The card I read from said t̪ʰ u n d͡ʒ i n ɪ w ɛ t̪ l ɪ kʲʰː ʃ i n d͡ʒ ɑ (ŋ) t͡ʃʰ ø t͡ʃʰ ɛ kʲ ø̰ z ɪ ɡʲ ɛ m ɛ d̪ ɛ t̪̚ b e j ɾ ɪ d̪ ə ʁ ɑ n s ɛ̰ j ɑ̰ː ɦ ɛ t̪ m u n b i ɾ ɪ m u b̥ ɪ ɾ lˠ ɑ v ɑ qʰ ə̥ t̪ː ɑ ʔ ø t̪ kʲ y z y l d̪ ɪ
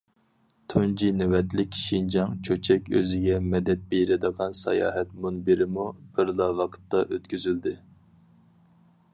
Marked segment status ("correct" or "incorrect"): correct